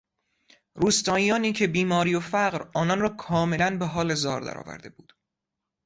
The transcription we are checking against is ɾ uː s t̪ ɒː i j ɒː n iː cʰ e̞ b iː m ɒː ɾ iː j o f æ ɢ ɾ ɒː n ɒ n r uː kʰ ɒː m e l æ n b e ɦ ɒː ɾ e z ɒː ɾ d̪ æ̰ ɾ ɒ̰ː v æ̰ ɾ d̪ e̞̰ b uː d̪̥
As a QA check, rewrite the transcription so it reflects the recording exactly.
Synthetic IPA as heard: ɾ uː s t̪ ɒː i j ɒː n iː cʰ e̞ b iː m ɒː ɾ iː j o f æ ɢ ɾ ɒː n ɒ n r ɒː kʰ ɒː m e l æ n b e ɦ ɒː l e z ɒː ɾ d̪ æ̰ ɾ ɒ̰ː v æ̰ ɾ d̪ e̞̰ b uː d̪̥